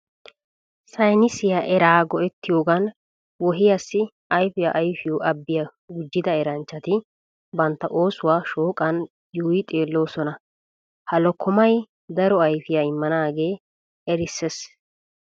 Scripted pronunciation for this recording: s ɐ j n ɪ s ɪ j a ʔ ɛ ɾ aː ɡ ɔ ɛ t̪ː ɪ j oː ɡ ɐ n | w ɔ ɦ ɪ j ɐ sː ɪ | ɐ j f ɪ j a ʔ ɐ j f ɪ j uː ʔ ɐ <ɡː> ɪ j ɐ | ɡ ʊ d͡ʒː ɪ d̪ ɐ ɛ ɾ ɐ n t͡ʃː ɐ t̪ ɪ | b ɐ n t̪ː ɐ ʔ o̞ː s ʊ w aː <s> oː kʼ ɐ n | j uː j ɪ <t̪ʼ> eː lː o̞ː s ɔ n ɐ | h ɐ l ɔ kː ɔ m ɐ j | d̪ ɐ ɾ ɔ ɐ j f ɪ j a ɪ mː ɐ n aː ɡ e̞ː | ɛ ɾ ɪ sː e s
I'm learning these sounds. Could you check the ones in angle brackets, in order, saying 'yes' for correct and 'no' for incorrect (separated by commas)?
no, no, yes